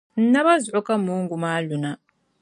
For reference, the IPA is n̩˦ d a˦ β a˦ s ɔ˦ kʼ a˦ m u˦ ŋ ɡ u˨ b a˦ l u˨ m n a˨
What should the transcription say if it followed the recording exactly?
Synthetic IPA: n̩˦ n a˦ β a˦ z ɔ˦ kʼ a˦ m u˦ ŋ ɡ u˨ m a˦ l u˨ n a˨

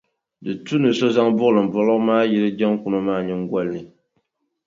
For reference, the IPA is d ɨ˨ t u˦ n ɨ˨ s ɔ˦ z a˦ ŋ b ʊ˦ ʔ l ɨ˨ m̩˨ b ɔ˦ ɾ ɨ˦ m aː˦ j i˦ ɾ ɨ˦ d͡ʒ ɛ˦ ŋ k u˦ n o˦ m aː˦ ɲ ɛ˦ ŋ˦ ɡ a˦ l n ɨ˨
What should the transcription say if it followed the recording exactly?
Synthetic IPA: d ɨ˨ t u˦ n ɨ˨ s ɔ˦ z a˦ ŋ b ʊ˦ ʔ l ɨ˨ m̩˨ b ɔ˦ l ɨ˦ m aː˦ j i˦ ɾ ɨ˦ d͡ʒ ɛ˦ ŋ k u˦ n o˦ m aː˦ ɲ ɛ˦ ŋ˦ ɡ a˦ l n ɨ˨

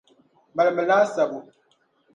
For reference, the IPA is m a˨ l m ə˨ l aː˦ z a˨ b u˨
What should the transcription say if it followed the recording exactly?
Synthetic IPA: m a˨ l m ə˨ l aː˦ s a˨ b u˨

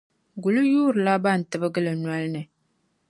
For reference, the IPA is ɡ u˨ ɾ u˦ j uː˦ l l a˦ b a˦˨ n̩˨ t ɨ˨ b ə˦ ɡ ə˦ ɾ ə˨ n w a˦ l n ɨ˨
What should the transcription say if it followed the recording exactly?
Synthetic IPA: ɡ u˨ l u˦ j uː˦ ɾ l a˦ b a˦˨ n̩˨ t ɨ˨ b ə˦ ɡ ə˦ l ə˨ n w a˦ l n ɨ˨

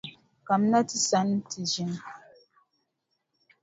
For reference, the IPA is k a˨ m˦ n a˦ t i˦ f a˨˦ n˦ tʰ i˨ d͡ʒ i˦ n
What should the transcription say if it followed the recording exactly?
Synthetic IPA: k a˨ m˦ n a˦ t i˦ s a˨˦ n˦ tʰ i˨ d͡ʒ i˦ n

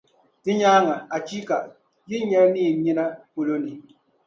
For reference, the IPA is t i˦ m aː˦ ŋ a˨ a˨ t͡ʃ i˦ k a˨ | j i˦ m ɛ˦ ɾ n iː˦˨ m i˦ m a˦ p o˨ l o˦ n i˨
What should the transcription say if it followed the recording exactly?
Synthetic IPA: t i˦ ɲ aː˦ ŋ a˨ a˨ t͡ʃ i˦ k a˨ | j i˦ ɲ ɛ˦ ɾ n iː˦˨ ɲ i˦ n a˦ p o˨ l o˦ n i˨

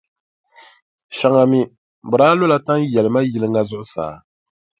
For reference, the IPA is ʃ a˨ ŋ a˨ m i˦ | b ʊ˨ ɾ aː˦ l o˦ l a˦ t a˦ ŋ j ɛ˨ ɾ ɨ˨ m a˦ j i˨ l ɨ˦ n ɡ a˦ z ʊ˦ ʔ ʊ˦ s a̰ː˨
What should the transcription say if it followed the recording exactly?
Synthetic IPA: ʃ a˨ ŋ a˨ m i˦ | b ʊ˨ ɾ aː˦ l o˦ l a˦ t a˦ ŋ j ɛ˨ l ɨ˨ m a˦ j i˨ l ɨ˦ ŋ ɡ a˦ z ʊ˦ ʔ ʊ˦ s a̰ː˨

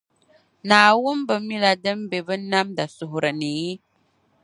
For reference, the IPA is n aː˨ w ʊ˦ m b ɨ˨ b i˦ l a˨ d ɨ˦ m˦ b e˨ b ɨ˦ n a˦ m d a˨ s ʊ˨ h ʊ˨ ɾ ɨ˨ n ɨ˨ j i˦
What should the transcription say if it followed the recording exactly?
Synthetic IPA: n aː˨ w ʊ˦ m b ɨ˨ m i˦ l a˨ d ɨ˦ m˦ b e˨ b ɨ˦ n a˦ m d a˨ s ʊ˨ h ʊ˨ ɾ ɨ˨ n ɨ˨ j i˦

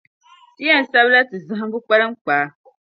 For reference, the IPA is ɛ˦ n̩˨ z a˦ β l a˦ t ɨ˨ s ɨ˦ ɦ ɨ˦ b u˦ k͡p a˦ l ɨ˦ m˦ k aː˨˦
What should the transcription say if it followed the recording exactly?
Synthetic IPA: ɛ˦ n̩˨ s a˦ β l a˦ t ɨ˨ z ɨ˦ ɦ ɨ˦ b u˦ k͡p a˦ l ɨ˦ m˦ k͡p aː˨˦

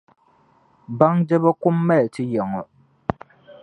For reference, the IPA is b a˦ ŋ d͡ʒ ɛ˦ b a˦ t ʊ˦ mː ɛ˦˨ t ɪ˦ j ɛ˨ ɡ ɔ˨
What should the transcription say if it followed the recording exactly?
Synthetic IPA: b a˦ ŋ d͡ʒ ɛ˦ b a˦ k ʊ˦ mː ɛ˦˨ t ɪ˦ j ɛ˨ ŋ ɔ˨

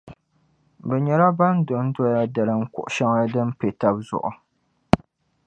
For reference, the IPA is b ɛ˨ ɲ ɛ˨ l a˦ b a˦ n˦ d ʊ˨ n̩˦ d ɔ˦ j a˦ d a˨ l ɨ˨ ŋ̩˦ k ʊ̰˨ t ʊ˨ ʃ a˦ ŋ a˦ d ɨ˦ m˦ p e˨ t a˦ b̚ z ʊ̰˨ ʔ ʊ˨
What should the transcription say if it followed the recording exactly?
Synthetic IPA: b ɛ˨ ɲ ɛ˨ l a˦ b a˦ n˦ d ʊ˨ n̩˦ d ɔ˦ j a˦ d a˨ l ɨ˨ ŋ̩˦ k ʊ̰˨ ʔ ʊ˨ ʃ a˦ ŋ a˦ d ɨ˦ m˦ p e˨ t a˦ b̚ z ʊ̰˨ ʔ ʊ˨

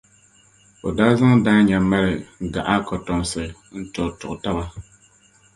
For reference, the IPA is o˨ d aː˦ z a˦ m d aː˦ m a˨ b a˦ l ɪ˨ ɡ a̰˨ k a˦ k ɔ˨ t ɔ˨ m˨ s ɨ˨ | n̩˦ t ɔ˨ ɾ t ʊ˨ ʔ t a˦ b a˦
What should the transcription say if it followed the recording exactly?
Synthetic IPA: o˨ d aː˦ z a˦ ŋ d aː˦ ɲ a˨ m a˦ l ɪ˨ ɡ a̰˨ ʔ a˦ k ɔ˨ t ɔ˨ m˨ s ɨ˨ | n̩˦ t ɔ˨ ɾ t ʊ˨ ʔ t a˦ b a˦

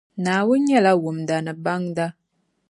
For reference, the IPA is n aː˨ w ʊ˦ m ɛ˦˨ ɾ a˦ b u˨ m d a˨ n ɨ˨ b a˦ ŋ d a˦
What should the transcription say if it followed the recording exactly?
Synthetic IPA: n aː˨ w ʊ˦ ɲ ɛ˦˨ l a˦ w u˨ m d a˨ n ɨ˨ b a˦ ŋ d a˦

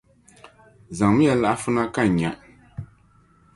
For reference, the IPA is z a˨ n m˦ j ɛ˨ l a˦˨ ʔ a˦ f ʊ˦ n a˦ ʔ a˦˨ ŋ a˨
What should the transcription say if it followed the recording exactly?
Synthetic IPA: z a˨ ŋ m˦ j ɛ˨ l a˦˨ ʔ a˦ f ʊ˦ n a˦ k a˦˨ ɲ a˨

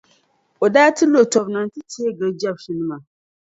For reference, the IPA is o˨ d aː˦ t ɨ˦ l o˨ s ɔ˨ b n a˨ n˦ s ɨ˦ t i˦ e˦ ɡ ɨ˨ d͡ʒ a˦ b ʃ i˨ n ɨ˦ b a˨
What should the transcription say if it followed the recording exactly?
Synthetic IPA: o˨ d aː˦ t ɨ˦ l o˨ t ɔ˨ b n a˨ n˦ t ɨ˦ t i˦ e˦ ɡ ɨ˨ d͡ʒ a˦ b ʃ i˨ n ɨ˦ m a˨

